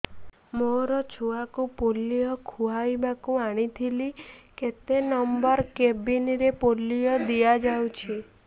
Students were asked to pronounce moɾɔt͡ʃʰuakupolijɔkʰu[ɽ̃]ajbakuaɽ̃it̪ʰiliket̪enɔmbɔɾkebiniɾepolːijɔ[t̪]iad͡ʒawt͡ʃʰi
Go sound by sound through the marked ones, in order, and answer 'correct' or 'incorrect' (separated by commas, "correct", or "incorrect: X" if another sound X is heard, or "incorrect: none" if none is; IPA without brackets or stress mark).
incorrect: none, incorrect: d̪